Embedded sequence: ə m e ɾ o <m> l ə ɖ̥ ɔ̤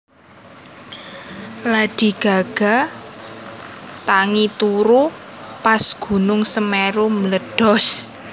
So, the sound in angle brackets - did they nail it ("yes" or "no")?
yes